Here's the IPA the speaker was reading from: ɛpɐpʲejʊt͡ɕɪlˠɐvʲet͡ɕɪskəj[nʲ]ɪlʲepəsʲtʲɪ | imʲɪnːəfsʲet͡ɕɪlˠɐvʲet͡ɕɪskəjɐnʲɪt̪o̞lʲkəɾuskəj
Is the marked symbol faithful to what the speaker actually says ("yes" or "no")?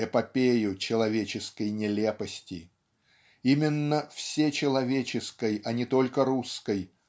yes